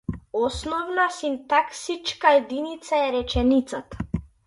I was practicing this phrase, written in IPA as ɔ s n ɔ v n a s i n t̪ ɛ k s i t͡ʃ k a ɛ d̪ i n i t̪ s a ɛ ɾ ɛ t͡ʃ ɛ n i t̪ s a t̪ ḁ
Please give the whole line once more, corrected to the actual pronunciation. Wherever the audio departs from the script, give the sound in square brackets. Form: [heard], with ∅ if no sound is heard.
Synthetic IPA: ɔ s n ɔ v n a s i n t̪ [a] k s i t͡ʃ k a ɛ d̪ i n i t̪ s a ɛ ɾ ɛ t͡ʃ ɛ n i t̪ s a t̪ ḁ